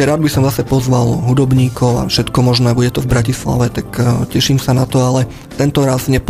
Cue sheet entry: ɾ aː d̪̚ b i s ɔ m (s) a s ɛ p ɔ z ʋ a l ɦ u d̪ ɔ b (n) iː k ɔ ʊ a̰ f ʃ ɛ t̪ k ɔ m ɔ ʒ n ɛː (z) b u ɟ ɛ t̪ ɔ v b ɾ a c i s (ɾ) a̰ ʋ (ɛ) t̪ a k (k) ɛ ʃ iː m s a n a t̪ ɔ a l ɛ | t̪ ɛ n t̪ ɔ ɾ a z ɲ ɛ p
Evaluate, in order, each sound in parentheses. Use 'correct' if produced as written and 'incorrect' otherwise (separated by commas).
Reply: incorrect, incorrect, incorrect, incorrect, correct, incorrect